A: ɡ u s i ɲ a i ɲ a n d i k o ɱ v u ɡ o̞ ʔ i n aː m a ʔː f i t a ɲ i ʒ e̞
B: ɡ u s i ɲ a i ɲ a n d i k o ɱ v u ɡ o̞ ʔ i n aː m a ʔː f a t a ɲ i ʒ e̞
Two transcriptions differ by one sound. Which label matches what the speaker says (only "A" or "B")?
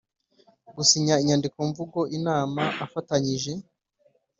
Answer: B